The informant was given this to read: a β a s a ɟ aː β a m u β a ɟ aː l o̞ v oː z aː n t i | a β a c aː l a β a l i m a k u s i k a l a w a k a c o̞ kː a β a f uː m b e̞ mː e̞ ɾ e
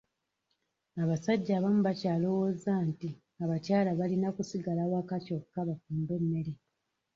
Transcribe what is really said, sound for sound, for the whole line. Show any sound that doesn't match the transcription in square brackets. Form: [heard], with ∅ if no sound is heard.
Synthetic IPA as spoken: a β a s a [ɟː] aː β a m u β a [c] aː l o̞ [w] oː z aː n t i | a β a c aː l a β a l i [n] a k u s i [ɡ] a l a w a k a c o̞ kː a β a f uː m b e̞ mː e̞ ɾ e